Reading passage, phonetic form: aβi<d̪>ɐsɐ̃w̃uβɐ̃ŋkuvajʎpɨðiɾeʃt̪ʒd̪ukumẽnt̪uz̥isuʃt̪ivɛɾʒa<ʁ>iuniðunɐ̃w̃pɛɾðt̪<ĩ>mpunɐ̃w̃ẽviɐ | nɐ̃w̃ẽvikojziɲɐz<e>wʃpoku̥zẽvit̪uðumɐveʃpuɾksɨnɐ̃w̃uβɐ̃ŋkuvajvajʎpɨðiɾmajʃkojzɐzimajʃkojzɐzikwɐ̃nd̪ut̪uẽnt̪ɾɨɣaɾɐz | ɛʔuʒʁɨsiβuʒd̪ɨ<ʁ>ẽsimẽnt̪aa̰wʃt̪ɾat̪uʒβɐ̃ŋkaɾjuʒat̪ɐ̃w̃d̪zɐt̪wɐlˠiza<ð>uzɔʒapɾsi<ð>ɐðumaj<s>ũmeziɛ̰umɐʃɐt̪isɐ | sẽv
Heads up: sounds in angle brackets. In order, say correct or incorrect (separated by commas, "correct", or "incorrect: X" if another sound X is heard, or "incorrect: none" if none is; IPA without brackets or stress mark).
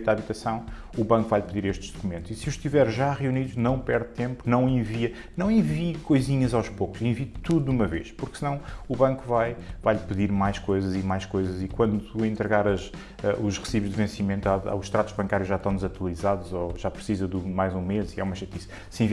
incorrect: t̪, correct, incorrect: ẽ, incorrect: a, incorrect: v, correct, incorrect: z, incorrect: z